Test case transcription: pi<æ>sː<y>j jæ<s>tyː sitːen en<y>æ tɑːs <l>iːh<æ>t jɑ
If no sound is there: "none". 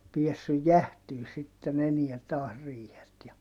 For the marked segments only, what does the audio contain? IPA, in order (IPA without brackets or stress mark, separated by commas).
e, y, h, i, r, e